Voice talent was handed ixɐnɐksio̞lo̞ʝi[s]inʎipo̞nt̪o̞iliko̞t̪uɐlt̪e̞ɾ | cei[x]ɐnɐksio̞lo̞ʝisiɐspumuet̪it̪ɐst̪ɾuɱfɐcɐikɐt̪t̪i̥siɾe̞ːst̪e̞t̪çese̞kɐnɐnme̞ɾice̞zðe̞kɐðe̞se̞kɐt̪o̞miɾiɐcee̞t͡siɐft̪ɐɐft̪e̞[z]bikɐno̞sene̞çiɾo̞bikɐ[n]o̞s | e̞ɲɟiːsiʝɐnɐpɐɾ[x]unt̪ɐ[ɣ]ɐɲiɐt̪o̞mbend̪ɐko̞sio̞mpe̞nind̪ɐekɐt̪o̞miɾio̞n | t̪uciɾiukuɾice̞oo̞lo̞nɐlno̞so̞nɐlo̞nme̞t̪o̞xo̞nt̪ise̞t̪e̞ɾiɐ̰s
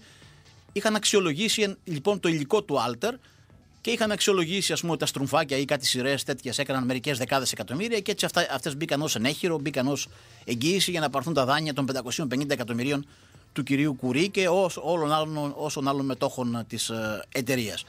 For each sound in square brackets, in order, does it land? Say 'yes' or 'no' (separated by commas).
yes, yes, yes, yes, no, no